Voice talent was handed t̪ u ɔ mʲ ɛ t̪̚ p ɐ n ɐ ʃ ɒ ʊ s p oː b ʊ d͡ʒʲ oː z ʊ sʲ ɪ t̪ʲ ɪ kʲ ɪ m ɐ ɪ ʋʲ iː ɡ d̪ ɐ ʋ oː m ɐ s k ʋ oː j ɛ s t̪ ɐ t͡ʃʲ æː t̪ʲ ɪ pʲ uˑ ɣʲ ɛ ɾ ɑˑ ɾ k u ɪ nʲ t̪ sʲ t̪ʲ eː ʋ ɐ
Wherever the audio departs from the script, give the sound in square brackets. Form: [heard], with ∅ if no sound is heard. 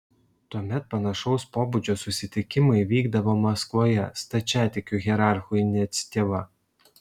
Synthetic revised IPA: t̪ u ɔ mʲ ɛ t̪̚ p ɐ n ɐ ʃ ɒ ʊ s p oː b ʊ d͡ʒʲ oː [s] ʊ sʲ ɪ t̪ʲ ɪ kʲ ɪ m ɐ ɪ ʋʲ iː ɡ d̪ ɐ ʋ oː m ɐ s k ʋ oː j ɛ s t̪ ɐ t͡ʃʲ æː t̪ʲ ɪ [kʲ] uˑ ɣʲ ɛ ɾ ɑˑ ɾ [x] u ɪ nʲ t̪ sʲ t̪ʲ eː ʋ ɐ